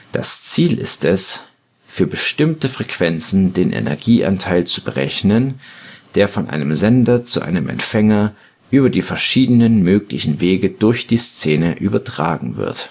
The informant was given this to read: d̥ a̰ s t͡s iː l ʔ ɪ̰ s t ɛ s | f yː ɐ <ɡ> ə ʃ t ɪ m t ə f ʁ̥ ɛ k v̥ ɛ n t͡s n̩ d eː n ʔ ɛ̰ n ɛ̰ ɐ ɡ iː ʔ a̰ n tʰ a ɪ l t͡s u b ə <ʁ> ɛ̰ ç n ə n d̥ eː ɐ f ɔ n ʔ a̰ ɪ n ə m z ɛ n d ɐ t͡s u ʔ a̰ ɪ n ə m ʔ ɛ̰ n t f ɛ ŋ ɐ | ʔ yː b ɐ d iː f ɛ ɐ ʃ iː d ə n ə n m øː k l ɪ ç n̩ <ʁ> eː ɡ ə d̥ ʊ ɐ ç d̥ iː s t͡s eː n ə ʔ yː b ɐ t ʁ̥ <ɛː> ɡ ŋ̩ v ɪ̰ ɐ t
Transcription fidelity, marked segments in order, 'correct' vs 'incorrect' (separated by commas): incorrect, correct, incorrect, incorrect